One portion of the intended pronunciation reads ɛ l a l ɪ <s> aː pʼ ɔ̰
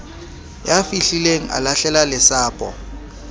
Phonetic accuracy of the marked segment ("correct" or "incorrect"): correct